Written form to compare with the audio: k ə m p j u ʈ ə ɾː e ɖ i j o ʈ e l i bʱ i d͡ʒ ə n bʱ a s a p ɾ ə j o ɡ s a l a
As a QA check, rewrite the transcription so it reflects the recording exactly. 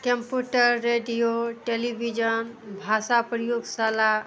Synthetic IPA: k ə m p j u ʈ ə ɾː e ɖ i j o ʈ e l i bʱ i d͡ʒ ə n bʱ a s a p ɾ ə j o ɡ s a l a